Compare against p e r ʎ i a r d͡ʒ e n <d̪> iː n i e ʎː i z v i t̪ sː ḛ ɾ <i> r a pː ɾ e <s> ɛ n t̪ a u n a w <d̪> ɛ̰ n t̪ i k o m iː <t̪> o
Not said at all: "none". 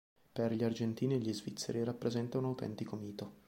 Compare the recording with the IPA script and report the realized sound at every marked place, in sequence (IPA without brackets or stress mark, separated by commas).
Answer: t̪, i, z, t̪, t̪